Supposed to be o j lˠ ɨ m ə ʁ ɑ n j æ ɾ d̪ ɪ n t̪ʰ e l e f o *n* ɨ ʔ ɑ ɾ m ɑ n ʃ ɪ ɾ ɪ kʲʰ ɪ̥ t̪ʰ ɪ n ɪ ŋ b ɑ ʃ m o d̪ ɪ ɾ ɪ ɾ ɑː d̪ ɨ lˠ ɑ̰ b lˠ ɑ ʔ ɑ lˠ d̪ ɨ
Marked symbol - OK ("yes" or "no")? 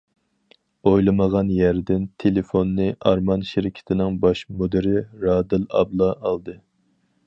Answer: no